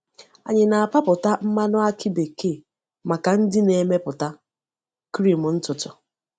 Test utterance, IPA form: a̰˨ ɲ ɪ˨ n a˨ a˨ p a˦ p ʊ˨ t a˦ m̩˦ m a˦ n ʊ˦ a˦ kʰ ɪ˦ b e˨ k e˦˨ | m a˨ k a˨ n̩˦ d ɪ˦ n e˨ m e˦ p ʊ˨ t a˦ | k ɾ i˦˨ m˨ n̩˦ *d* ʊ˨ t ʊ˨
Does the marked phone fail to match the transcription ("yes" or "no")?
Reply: yes